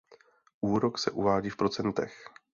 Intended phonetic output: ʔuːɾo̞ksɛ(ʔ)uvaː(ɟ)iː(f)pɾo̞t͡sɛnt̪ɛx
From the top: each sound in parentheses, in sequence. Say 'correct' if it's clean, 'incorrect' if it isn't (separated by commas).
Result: correct, correct, correct